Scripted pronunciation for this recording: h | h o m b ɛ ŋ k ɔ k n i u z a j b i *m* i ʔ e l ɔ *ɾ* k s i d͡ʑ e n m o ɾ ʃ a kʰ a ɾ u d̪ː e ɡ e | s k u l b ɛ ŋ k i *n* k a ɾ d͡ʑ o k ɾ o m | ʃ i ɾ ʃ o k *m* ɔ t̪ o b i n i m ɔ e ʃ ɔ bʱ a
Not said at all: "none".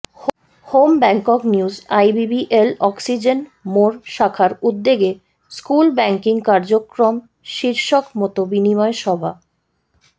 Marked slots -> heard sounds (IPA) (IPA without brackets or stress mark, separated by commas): b, none, ŋ, m